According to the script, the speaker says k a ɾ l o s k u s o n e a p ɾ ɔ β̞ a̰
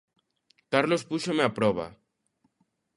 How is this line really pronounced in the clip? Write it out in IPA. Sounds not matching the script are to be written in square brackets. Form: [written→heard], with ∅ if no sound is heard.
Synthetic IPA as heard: k a ɾ l o s [k→p] u [s→ʃ] o [n→m] e a p ɾ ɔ β̞ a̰